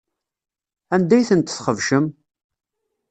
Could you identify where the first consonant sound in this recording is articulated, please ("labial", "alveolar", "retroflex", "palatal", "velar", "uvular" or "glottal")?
alveolar